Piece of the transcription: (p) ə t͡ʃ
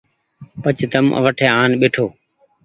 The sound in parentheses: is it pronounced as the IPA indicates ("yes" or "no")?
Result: yes